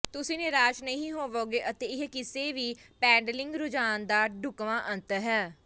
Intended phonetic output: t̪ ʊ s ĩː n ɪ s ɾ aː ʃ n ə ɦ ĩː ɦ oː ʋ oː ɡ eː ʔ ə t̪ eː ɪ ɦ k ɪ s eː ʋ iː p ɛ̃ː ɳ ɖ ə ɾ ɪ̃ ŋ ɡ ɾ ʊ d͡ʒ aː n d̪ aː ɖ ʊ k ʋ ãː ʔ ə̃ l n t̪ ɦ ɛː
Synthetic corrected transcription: t̪ ʊ s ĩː n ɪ ɾ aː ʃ n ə ɦ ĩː ɦ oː ʋ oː ɡ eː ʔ ə t̪ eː ɪ ɦ k ɪ s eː ʋ iː p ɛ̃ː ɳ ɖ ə l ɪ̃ ŋ ɡ ɾ ʊ d͡ʒ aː n d̪ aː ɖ ʊ k ʋ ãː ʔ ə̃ n t̪ ɦ ɛː